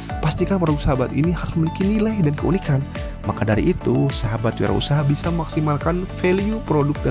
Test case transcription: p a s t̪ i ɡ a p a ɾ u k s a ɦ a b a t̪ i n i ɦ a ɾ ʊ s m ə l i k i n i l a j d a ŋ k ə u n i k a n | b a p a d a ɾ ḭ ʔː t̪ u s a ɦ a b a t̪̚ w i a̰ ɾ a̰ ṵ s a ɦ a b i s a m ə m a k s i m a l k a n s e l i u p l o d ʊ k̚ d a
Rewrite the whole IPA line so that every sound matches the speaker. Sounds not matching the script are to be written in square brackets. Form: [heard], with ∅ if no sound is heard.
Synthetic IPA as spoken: p a s t̪ i [k] a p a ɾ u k s a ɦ a b a t̪ i n i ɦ a ɾ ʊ s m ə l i k i n i l a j d a [n] k ə u n i k a n | [m] a [k] a d a ɾ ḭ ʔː t̪ u s a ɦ a b a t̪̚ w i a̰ ɾ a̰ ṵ s a ɦ a b i s a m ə m a k s i m a l k a n [f] e l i u p [ɾ] o d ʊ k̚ d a